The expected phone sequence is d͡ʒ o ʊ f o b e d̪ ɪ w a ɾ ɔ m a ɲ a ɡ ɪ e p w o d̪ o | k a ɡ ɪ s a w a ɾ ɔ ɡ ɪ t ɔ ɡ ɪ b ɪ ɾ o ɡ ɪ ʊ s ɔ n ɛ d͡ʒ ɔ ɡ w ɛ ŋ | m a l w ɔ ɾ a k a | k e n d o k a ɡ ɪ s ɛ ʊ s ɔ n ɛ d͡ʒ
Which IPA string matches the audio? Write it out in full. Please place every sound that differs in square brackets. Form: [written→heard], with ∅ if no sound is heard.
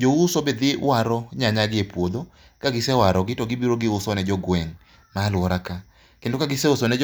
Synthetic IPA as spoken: d͡ʒ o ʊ [f→s] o b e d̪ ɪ w a ɾ ɔ [m→ɲ] a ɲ a ɡ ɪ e p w o d̪ o | k a ɡ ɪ s [a→ɛ] w a ɾ ɔ ɡ ɪ t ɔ ɡ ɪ b [ɪ→i] ɾ o ɡ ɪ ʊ s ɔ n ɛ d͡ʒ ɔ ɡ w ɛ ŋ | m a l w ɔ ɾ a k a | k e n d o k a ɡ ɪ s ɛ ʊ s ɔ n ɛ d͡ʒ